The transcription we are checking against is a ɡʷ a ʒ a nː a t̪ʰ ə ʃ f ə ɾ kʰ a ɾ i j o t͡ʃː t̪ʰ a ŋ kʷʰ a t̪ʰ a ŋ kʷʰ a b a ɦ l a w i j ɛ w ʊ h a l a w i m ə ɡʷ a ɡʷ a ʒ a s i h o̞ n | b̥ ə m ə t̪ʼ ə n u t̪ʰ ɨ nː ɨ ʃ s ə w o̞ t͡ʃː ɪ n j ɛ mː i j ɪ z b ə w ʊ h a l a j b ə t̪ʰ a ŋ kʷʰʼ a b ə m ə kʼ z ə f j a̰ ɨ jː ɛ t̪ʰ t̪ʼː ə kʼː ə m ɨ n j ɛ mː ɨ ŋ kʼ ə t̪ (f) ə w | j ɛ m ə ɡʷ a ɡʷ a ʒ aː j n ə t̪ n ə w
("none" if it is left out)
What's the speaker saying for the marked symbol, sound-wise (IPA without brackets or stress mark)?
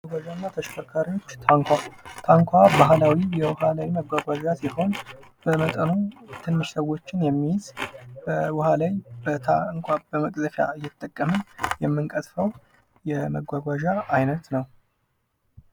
f